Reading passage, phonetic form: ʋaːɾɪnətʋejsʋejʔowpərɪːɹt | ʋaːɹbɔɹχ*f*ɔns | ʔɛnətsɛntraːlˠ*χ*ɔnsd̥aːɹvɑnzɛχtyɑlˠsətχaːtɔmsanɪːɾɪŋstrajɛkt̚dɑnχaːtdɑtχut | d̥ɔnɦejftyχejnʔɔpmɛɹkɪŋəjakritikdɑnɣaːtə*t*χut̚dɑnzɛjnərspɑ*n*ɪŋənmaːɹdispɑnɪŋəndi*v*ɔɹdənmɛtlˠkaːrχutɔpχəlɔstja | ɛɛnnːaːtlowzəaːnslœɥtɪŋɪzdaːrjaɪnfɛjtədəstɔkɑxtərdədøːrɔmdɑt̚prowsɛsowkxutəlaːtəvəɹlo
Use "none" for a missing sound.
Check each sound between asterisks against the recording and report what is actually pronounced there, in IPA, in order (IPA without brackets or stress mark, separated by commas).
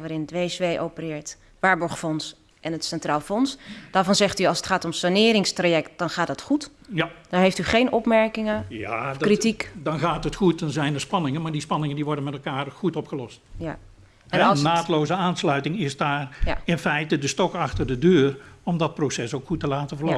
f, f, t, n, ʋ